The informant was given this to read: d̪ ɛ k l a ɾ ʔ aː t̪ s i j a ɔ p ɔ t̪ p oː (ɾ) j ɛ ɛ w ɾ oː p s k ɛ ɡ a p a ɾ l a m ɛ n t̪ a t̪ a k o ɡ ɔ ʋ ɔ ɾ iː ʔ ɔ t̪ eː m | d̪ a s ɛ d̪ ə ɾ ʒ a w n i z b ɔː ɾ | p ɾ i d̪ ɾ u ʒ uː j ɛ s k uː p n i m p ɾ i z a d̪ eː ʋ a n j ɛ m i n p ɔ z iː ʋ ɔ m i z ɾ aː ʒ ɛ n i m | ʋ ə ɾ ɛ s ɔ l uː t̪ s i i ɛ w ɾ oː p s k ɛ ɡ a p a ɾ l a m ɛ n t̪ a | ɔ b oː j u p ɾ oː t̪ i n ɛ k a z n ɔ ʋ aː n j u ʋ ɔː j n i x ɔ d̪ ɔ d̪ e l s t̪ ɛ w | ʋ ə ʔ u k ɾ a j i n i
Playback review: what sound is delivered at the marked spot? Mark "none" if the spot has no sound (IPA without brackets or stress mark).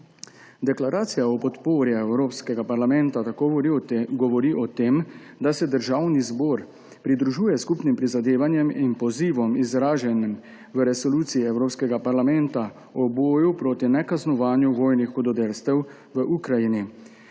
ɾ